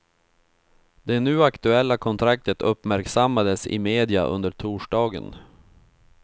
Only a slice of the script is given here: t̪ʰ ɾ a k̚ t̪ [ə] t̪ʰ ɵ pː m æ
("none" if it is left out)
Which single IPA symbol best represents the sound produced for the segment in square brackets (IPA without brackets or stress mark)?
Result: ə